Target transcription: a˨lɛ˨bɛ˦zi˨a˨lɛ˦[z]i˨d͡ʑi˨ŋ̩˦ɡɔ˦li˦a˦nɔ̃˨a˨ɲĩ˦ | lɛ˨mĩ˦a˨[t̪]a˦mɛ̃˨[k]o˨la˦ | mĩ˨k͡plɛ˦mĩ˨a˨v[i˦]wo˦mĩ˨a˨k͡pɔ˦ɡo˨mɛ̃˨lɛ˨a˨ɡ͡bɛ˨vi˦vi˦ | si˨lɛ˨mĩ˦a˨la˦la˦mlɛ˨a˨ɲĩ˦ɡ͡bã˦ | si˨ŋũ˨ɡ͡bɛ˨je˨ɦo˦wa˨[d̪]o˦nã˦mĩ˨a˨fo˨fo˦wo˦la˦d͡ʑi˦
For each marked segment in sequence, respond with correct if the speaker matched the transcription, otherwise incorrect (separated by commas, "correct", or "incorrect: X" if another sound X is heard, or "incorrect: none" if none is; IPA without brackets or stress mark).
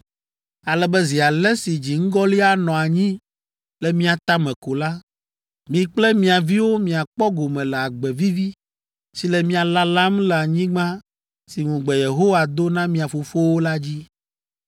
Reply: incorrect: s, correct, correct, correct, correct